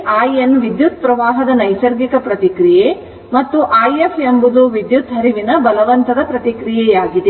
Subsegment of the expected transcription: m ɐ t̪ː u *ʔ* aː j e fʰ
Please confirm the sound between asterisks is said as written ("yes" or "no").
yes